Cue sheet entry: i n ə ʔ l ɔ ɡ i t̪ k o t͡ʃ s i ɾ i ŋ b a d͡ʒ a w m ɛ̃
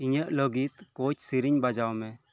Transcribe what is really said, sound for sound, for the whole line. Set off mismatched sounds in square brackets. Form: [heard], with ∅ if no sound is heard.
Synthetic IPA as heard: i [ɲ] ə ʔ l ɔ ɡ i t̪ k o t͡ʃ s i ɾ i [ɲ] b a d͡ʒ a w m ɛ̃